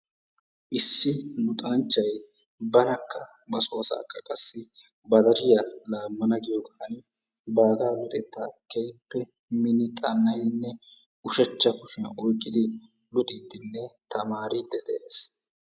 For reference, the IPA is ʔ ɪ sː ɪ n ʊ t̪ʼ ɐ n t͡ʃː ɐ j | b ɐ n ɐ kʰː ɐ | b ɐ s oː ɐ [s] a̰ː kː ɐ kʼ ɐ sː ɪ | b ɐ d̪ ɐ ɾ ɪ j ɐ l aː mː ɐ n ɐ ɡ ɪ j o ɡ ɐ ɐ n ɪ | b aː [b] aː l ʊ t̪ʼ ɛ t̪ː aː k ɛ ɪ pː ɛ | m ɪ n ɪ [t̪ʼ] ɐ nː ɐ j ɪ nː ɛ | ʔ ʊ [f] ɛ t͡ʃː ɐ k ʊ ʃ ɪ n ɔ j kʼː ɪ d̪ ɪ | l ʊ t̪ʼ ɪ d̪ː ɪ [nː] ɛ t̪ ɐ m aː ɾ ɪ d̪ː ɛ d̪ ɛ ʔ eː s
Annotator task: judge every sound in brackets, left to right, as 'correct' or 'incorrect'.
correct, incorrect, correct, incorrect, correct

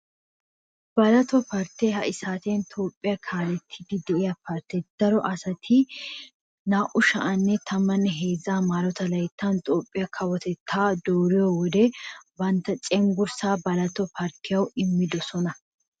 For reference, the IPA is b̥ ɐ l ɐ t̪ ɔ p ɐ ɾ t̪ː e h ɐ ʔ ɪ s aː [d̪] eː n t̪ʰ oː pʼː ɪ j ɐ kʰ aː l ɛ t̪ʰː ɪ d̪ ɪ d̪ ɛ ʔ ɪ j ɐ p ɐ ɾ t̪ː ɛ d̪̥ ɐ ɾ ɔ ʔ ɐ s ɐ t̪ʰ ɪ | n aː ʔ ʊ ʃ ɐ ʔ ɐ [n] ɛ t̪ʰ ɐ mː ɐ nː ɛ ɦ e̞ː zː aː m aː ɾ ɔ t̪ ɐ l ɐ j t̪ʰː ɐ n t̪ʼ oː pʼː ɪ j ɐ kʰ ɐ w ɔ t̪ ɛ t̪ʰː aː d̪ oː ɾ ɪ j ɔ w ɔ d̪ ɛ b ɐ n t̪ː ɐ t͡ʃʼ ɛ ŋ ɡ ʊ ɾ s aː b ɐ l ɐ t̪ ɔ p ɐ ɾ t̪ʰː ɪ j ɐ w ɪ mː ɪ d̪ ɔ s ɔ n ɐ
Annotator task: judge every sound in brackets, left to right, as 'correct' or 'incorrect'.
incorrect, incorrect

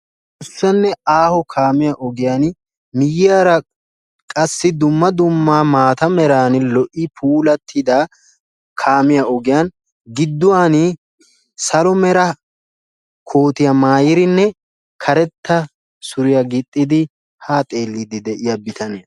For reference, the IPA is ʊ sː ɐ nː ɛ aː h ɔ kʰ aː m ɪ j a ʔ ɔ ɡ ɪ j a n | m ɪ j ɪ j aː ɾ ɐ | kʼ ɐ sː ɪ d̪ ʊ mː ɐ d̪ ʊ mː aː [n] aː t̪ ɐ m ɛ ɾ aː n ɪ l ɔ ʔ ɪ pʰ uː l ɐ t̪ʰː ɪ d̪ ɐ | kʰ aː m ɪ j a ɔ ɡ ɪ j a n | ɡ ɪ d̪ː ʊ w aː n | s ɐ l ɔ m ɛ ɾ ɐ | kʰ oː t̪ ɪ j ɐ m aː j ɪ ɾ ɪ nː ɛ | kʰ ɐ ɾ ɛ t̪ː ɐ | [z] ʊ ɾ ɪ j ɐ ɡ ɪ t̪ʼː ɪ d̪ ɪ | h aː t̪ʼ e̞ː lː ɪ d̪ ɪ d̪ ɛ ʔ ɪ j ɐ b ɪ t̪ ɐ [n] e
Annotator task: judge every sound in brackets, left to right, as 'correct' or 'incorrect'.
incorrect, incorrect, correct

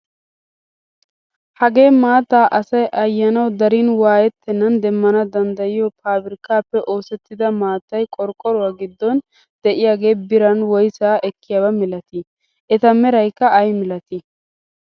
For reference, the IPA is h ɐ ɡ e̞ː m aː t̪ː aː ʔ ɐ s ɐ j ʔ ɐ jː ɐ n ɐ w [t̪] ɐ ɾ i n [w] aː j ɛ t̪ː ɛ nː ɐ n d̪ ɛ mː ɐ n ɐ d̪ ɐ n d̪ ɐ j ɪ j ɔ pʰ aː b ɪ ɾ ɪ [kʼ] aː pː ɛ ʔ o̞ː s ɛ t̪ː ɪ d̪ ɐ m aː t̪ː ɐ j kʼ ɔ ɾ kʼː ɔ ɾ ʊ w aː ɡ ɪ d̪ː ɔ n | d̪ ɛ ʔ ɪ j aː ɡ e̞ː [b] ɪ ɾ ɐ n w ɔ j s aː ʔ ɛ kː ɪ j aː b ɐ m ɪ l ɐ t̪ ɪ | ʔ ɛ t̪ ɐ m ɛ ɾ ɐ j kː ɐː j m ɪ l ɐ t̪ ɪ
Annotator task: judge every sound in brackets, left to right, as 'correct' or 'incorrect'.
incorrect, correct, incorrect, correct

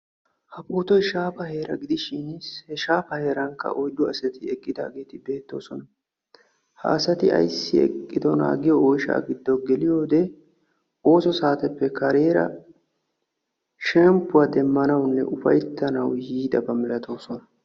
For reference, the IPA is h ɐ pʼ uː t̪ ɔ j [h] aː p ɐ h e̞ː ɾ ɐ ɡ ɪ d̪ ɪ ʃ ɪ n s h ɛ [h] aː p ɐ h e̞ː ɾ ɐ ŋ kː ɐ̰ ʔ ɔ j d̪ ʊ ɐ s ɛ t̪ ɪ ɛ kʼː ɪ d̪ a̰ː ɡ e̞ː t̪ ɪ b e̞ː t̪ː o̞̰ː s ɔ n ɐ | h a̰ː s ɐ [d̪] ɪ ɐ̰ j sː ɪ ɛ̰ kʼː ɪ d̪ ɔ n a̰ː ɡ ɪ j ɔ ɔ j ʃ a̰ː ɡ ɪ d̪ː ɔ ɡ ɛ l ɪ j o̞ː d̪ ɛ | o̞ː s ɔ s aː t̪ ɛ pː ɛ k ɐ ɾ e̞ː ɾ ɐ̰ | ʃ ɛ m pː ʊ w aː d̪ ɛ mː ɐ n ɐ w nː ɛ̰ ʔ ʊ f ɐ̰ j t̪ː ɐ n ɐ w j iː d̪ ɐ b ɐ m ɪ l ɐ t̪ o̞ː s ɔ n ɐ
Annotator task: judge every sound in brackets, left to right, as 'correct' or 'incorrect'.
incorrect, incorrect, incorrect

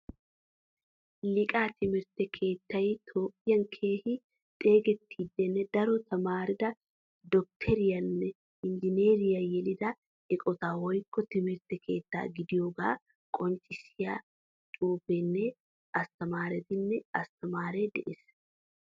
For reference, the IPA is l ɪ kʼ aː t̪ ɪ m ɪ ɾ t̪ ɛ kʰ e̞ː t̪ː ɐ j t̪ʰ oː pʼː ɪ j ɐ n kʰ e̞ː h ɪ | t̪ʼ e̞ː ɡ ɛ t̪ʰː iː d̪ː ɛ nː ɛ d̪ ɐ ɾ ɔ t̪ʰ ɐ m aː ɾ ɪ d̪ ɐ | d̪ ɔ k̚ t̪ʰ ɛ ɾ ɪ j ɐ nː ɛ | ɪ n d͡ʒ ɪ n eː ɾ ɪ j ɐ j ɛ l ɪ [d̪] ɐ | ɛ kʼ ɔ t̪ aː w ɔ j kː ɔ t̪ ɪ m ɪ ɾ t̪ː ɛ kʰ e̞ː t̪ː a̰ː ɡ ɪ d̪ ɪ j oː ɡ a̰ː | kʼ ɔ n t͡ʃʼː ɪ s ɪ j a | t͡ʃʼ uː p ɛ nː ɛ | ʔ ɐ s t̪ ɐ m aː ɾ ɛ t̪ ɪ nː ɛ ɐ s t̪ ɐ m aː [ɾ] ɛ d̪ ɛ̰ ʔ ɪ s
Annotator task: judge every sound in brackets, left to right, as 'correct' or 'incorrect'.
correct, correct

